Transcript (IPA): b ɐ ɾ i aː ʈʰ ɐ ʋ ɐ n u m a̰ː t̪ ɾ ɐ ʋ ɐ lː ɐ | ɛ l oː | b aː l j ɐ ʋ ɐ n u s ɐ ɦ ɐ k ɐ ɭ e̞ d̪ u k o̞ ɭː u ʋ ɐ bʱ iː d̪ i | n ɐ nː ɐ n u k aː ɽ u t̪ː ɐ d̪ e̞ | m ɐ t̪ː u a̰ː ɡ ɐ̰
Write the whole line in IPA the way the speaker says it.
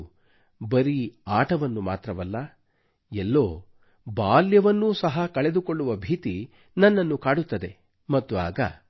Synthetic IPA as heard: b ɐ ɾ i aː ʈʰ ɐ ʋ ɐ nː u m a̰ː t̪ ɾ ɐ ʋ ɐ lː ɐ | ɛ lː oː | b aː l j ɐ ʋ ɐ nː u s ɐ ɦ ɐ k ɐ ɭ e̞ d̪ u k o̞ ɭː u ʋ ɐ bʱ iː t̪ i | n ɐ nː ɐ nː u k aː ɽ u t̪ː ɐ d̪ e̞ | m ɐ t̪ː u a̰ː ɡ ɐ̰

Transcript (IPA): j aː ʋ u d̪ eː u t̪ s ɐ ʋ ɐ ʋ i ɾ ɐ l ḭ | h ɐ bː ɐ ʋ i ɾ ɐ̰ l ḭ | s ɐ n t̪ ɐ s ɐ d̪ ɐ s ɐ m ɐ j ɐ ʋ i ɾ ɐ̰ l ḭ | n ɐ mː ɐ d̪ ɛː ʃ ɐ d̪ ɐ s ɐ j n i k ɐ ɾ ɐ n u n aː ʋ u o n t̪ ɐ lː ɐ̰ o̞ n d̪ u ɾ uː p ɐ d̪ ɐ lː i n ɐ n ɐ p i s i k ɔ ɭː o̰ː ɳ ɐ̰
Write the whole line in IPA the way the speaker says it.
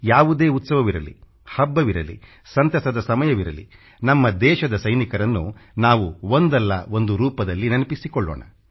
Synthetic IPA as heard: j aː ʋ u d̪ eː u t̪ s ɐ ʋ ɐ ʋ i ɾ ɐ l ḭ | h ɐ bː ɐ ʋ i ɾ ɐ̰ l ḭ | s ɐ n t̪ ɐ s ɐ d̪ ɐ s ɐ m ɐ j ɐ ʋ i ɾ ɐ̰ l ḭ | n ɐ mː ɐ d̪ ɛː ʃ ɐ d̪ ɐ s ɐ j n i k ɐ ɾ ɐ nː u n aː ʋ u o n d̪ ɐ lː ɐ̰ o̞ n d̪ u ɾ uː p ɐ d̪ ɐ lː i n ɐ n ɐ p i s i k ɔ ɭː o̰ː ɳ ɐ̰

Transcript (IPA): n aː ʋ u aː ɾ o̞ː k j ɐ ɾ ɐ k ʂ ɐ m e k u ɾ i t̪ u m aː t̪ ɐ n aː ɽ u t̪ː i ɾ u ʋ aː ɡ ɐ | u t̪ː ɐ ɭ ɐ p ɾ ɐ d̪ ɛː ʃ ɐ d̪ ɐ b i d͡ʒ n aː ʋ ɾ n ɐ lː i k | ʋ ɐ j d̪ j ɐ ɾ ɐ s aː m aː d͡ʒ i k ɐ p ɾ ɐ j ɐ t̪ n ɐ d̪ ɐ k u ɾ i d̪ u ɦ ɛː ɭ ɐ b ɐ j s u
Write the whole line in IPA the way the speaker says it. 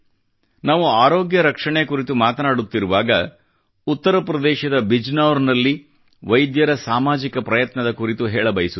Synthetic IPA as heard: n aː ʋ u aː ɾ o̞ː ɡ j ɐ ɾ ɐ k ʂ ɐ ɳ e k u ɾ i t̪ u m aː t̪ ɐ n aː ɽ u t̪ː i ɾ u ʋ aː ɡ ɐ | u t̪ː ɐ ɾ ɐ p ɾ ɐ d̪ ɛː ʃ ɐ d̪ ɐ b i d͡ʒ n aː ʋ ɾ n ɐ lː i | ʋ ɐ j d̪ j ɐ ɾ ɐ s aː m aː d͡ʒ i k ɐ p ɾ ɐ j ɐ t̪ n ɐ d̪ ɐ k u ɾ i t̪ u ɦ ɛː ɭ ɐ b ɐ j s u

